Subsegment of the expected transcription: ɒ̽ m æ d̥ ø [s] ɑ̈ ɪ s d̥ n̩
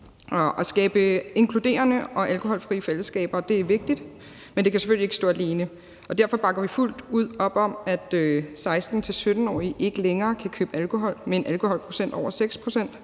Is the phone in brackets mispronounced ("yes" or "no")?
no